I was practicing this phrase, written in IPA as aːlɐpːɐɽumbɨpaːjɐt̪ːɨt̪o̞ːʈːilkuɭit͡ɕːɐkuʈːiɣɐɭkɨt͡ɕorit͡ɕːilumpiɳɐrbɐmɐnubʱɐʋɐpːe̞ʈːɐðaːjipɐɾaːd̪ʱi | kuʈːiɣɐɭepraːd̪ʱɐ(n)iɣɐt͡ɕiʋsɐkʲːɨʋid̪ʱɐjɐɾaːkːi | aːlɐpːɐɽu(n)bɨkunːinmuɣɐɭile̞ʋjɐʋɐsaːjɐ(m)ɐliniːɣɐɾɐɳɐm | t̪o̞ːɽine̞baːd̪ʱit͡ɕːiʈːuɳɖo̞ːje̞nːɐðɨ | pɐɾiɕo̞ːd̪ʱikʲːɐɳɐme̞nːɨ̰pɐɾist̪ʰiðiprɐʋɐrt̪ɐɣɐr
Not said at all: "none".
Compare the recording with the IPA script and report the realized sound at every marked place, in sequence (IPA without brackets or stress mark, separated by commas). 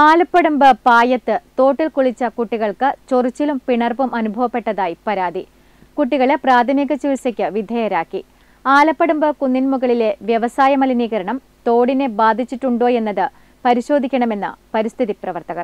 m, m, m